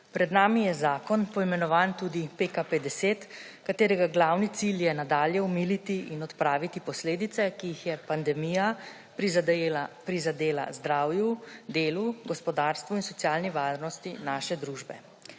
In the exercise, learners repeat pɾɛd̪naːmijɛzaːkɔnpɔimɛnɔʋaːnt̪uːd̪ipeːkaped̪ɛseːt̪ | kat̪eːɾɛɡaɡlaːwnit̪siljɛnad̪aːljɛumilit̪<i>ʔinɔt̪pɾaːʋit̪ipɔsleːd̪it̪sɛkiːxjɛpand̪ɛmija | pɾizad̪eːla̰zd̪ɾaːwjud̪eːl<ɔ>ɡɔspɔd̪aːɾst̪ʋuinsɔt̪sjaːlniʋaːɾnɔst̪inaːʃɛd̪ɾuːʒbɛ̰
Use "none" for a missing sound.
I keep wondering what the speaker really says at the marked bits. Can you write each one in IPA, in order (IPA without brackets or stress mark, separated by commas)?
i, u